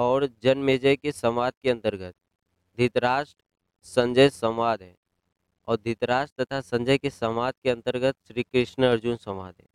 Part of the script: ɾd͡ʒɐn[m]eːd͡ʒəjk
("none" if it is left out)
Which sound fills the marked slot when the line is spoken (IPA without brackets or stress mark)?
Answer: m